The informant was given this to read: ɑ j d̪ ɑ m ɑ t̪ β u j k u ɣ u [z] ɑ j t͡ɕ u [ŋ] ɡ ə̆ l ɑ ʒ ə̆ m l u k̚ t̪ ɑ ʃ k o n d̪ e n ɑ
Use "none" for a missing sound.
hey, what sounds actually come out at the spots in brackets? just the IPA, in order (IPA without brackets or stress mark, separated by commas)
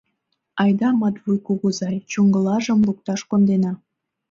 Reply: z, ŋ